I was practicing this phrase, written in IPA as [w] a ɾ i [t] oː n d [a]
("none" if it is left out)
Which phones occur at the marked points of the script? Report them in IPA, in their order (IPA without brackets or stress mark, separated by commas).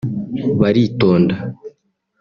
β, t, a